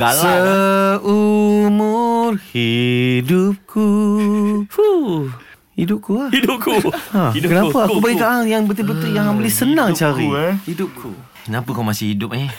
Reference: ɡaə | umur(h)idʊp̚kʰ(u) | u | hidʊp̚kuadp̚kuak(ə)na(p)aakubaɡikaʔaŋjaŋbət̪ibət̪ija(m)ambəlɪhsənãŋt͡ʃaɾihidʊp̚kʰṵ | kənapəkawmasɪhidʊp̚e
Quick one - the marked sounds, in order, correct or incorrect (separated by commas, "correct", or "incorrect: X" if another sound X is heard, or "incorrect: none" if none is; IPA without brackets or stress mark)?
correct, correct, correct, correct, incorrect: ŋ